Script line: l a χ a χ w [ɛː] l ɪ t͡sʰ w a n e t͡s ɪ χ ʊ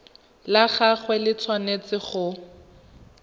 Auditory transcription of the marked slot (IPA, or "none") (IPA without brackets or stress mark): ɛ